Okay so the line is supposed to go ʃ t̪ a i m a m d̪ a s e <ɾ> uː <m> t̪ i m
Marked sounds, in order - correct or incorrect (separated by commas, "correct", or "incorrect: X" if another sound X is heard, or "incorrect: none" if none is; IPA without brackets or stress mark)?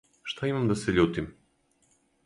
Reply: incorrect: ʎ, incorrect: none